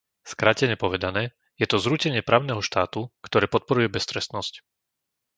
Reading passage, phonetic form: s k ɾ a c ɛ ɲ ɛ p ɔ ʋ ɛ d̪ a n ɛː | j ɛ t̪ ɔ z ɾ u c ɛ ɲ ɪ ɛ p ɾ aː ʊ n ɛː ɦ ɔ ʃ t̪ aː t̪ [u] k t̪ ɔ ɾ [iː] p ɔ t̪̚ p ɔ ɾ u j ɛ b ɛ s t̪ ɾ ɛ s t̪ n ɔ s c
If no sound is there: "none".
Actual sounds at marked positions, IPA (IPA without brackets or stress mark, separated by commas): u, ɛː